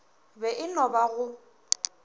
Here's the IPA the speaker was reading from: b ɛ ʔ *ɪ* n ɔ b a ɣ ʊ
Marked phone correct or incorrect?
correct